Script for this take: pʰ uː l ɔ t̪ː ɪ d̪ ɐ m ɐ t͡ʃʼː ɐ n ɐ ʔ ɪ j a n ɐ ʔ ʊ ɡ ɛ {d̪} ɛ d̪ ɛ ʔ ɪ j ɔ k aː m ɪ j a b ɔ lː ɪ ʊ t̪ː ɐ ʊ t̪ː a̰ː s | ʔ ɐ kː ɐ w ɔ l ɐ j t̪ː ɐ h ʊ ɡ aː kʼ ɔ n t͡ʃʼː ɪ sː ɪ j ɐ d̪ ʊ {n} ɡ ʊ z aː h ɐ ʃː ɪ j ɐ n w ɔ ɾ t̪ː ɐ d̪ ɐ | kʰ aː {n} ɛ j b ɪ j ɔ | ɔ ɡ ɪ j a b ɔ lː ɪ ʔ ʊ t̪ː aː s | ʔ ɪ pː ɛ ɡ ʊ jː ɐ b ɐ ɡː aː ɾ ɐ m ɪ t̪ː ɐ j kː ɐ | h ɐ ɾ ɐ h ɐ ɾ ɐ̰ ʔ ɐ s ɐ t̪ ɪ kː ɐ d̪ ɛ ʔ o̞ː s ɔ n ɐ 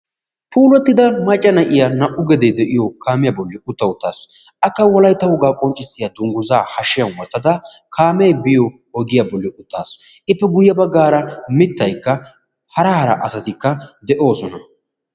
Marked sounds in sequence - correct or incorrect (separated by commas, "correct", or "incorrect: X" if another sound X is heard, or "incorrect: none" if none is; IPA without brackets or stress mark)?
correct, incorrect: ŋ, incorrect: m